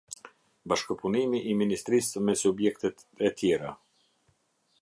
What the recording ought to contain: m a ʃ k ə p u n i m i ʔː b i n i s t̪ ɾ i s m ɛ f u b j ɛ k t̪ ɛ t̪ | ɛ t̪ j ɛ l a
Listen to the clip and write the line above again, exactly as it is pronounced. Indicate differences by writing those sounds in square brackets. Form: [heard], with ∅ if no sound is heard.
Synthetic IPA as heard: [b] a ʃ k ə p u n i m i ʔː [m] i n i s t̪ ɾ i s m ɛ [s] u b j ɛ k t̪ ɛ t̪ | ɛ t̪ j ɛ [ɾ] a

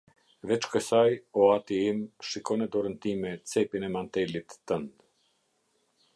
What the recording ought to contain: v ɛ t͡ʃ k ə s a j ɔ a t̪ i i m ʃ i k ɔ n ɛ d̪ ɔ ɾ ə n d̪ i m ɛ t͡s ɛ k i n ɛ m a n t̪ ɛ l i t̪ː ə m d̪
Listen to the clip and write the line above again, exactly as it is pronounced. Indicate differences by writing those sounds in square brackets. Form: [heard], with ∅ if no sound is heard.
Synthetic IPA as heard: v ɛ t͡ʃ k ə s a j ɔ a t̪ i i m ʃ i k ɔ n ɛ d̪ ɔ ɾ ə n [t̪] i m ɛ t͡s ɛ [p] i n ɛ m a n t̪ ɛ l i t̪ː ə [n] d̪

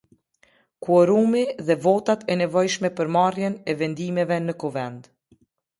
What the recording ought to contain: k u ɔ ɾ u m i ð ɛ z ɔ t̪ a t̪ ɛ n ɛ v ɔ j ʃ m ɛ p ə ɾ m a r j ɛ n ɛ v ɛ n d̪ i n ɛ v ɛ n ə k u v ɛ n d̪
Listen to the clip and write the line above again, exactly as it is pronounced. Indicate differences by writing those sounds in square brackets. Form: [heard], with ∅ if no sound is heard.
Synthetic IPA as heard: k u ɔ ɾ u m i ð ɛ [v] ɔ t̪ a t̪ ɛ n ɛ v ɔ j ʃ m ɛ p ə ɾ m a r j ɛ n ɛ v ɛ n d̪ i [m] ɛ v ɛ n ə k u v ɛ n d̪

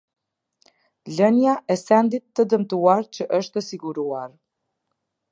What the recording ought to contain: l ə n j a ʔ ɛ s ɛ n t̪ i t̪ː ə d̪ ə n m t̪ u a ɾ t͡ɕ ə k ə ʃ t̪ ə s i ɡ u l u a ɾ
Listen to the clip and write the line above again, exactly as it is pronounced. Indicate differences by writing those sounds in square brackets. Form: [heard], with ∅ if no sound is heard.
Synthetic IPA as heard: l ə n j a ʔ ɛ s ɛ n [d̪] i t̪ː ə d̪ ə [∅] m t̪ u a ɾ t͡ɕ ə [ʔ] ə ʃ t̪ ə s i ɡ u [ɾ] u a ɾ

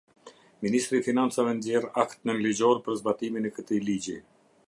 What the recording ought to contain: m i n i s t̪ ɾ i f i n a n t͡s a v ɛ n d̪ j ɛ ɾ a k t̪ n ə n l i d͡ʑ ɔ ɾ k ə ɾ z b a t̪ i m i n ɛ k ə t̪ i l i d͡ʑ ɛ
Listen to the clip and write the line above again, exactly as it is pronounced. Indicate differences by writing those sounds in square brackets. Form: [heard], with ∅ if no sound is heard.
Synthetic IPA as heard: m i n i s t̪ ɾ i f i n a n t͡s a v ɛ n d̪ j ɛ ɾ a k t̪ n ə n l i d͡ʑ ɔ ɾ [p] ə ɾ z b a t̪ i m i n ɛ k ə t̪ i l i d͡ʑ [i]

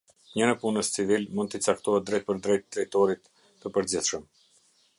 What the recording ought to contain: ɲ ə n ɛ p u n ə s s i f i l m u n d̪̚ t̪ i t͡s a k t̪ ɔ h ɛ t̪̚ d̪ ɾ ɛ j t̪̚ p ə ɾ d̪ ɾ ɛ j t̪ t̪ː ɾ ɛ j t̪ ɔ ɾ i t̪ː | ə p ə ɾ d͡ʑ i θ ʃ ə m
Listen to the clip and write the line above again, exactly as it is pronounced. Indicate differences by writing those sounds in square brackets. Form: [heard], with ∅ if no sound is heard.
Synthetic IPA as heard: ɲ ə n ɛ p u n ə s [t͡s] i [v] i l m u n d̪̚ t̪ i t͡s a k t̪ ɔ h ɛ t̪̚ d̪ ɾ ɛ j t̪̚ p ə ɾ d̪ ɾ ɛ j t̪ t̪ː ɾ ɛ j t̪ ɔ ɾ i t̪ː | ə p ə ɾ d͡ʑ i θ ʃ ə m

